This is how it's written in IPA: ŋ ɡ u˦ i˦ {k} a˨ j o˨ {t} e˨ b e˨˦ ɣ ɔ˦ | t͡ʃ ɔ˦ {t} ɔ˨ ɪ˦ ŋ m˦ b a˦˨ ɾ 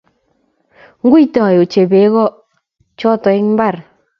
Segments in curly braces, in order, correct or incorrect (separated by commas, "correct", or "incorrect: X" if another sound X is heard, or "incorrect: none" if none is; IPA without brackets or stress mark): incorrect: t, incorrect: t͡ʃ, correct